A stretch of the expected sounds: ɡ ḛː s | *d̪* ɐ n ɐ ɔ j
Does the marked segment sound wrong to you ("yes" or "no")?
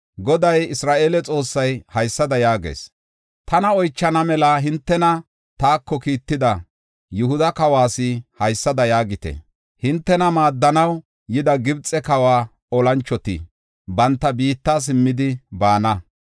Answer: yes